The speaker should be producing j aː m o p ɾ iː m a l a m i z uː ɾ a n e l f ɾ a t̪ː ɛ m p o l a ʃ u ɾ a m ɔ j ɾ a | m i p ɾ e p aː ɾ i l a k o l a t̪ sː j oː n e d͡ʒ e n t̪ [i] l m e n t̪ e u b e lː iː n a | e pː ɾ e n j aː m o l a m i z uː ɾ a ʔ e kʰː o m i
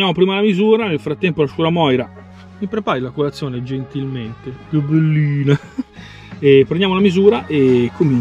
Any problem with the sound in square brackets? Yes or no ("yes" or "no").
no